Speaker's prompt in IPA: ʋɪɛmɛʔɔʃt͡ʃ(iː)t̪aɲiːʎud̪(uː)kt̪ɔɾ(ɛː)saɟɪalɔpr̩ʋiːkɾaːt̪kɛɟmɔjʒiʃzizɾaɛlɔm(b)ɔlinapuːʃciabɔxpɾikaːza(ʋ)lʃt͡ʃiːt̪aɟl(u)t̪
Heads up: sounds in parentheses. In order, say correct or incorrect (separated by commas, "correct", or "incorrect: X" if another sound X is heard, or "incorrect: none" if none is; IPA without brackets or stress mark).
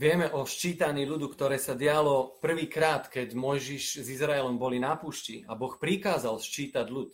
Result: correct, incorrect: u, correct, correct, incorrect: none, correct